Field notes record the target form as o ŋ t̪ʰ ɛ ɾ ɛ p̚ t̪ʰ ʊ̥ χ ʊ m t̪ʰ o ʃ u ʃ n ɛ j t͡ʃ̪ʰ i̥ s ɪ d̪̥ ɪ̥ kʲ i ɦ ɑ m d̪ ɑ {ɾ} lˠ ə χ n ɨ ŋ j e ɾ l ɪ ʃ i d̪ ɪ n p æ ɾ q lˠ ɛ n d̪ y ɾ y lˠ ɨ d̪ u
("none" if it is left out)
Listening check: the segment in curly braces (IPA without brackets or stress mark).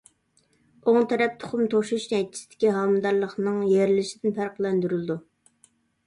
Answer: ɾ